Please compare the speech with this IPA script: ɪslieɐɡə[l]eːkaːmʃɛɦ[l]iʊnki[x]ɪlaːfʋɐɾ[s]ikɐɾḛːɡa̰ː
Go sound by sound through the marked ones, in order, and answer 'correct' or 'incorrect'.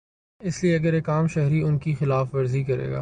incorrect: ɾ, incorrect: ɾ, correct, incorrect: z

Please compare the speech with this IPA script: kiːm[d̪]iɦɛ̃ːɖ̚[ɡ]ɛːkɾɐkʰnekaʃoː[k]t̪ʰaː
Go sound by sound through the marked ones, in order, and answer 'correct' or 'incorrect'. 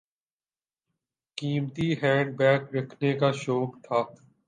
incorrect: t̪, incorrect: b, correct

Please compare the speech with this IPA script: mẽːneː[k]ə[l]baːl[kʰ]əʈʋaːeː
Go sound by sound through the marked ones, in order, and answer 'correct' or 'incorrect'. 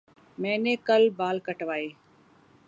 correct, correct, incorrect: k

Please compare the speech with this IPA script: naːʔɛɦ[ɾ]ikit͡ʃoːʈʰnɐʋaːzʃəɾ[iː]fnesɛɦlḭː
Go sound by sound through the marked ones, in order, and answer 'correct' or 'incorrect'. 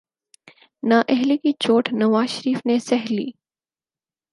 incorrect: l, correct

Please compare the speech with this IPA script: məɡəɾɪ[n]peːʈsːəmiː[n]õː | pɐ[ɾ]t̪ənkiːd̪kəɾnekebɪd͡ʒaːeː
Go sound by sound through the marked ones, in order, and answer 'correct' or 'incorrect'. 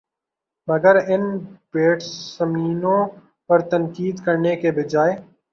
correct, correct, correct

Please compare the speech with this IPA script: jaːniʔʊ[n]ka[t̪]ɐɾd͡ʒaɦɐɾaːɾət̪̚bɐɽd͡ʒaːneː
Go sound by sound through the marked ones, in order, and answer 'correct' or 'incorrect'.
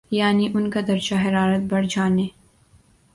correct, incorrect: d̪

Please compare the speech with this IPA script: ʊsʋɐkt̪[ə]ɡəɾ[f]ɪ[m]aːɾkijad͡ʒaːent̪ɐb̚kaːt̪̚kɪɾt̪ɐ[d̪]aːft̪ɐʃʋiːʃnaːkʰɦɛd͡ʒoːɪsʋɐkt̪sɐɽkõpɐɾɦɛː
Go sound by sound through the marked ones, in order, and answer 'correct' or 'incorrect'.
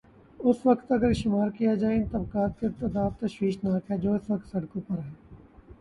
incorrect: ɐ, incorrect: ʃ, correct, correct

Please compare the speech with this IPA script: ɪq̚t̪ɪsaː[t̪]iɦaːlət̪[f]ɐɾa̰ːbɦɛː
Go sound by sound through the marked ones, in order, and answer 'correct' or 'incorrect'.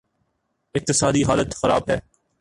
incorrect: d̪, incorrect: x

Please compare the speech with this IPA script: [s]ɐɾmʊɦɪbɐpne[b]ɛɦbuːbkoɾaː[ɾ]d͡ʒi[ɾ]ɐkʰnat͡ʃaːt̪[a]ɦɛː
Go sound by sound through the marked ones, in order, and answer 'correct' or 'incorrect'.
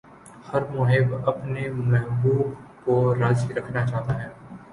incorrect: h, incorrect: m, incorrect: none, correct, correct

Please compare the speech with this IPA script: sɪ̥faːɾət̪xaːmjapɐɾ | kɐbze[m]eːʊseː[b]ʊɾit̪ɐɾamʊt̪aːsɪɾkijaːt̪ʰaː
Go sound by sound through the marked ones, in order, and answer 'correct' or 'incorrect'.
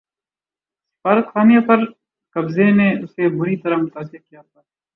incorrect: n, correct

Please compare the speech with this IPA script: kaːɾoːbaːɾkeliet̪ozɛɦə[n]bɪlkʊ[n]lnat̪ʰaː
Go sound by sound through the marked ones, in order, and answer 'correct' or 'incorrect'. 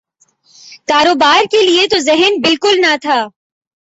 correct, incorrect: none

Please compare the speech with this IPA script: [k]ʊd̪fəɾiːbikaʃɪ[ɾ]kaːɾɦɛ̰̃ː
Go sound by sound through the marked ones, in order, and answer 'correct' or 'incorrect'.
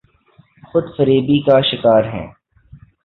incorrect: x, incorrect: none

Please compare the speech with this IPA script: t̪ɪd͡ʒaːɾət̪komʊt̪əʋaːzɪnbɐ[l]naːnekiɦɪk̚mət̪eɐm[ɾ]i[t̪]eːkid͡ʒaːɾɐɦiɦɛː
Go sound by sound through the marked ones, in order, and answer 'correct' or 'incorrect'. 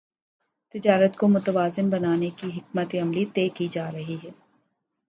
incorrect: none, incorrect: l, correct

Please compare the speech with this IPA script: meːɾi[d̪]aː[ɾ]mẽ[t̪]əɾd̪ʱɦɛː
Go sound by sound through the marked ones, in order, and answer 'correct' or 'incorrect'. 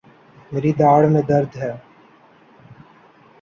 correct, incorrect: ɽ, incorrect: d̪

